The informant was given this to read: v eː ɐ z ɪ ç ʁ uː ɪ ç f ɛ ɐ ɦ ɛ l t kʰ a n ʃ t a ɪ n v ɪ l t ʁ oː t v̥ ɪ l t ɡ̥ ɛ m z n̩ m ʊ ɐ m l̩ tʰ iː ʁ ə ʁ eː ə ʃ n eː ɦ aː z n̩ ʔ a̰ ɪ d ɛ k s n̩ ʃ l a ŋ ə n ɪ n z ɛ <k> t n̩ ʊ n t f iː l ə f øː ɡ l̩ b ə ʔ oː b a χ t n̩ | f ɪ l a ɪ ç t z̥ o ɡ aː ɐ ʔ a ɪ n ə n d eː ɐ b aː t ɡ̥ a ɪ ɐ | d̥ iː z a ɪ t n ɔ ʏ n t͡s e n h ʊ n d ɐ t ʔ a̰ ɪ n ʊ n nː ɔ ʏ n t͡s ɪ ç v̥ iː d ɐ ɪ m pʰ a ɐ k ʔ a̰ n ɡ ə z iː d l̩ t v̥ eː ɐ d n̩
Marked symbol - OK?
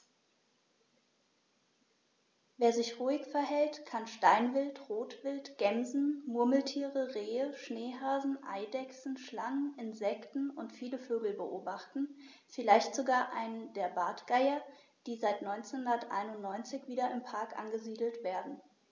yes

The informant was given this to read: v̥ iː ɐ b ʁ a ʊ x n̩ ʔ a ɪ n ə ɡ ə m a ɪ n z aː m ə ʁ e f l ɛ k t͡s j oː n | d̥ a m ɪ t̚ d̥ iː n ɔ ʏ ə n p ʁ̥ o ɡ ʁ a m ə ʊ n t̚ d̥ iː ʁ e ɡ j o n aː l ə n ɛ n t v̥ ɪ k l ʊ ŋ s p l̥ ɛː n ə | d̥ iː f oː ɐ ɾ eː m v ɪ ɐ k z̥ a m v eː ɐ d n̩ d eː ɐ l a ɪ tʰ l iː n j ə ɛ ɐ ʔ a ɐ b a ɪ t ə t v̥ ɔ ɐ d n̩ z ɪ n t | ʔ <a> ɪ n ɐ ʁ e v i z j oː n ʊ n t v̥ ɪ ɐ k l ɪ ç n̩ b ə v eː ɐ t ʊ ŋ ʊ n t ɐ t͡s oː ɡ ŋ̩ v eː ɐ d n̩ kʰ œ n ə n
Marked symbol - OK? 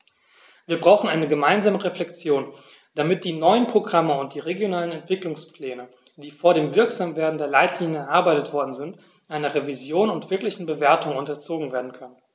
yes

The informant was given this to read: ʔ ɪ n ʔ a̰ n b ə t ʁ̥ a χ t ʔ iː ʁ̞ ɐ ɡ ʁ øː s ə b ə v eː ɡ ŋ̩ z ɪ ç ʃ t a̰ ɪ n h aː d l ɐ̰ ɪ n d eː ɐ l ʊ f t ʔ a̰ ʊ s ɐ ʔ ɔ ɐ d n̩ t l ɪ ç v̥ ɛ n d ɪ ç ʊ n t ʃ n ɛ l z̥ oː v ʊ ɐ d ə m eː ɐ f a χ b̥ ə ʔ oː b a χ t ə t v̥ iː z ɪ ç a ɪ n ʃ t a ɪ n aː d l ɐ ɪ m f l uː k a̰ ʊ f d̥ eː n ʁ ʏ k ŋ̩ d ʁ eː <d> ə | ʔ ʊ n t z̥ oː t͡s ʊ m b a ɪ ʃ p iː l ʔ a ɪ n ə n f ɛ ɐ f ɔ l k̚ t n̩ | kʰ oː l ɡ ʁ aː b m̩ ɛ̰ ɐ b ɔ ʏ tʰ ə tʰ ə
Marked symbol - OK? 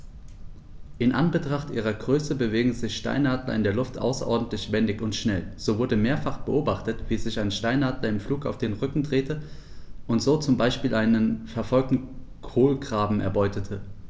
no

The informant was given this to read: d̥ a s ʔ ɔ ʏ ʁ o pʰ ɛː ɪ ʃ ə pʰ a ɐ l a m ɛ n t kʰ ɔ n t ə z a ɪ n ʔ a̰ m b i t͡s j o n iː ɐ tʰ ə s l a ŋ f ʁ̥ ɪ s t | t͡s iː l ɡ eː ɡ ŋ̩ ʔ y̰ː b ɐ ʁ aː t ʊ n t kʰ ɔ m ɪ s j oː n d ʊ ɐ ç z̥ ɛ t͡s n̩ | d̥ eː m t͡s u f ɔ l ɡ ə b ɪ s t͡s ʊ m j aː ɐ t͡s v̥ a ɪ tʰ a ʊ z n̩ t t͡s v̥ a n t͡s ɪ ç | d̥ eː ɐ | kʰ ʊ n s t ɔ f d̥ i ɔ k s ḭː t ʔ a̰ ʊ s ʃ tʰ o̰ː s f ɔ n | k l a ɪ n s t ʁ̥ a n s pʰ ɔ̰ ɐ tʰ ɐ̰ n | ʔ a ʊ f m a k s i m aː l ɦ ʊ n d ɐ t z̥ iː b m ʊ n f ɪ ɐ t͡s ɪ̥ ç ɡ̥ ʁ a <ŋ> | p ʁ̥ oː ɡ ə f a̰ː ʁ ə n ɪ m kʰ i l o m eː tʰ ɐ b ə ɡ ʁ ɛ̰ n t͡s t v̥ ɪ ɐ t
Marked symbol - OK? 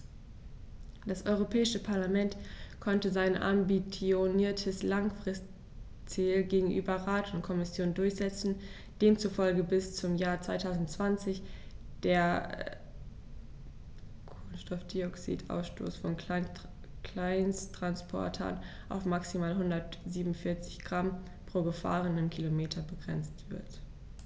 no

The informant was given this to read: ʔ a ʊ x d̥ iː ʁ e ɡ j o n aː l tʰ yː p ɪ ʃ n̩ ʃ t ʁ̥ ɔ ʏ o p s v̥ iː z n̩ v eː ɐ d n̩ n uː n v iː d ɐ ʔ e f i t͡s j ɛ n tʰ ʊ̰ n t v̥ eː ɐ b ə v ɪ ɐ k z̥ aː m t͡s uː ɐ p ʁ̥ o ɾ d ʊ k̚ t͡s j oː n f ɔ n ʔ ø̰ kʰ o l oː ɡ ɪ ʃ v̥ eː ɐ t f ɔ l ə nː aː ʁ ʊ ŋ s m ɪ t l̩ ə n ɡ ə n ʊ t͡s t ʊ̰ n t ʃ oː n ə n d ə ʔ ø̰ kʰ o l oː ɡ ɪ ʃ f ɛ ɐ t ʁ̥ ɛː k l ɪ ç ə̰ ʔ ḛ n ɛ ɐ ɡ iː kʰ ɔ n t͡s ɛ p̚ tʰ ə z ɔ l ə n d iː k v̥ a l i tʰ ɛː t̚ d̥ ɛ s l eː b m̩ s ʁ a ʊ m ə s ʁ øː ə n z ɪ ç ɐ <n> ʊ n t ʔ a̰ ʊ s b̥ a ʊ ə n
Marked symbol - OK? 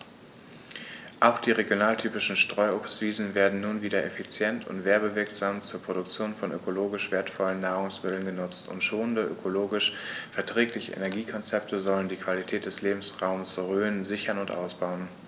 yes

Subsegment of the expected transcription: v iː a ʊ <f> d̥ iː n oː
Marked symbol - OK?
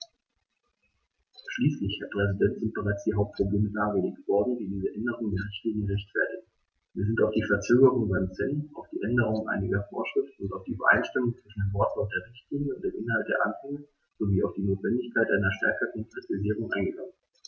yes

